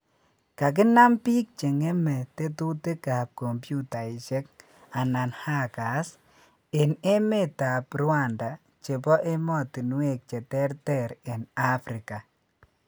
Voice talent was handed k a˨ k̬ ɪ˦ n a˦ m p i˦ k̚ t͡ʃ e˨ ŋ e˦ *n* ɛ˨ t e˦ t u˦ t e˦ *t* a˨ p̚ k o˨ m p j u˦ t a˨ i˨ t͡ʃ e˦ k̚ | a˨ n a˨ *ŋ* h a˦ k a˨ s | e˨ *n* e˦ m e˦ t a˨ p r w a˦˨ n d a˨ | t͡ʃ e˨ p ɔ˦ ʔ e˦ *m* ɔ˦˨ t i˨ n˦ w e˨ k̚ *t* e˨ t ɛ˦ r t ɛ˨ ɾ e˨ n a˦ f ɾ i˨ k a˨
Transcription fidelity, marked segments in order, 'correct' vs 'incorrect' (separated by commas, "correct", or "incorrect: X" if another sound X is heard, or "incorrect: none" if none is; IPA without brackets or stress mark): incorrect: m, incorrect: k, incorrect: n, correct, correct, incorrect: t͡ʃ